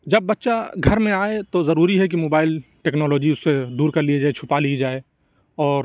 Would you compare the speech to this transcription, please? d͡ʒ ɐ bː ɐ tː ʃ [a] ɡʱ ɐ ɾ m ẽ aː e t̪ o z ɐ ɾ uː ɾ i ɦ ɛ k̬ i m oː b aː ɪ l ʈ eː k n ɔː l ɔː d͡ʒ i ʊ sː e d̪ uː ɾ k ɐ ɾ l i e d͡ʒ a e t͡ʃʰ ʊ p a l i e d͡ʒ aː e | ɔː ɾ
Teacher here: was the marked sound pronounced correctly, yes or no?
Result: yes